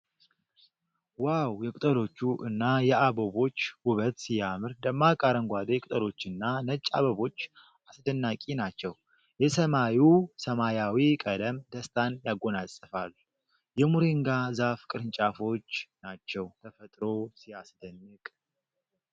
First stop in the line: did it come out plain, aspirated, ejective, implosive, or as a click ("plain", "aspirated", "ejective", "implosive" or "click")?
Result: ejective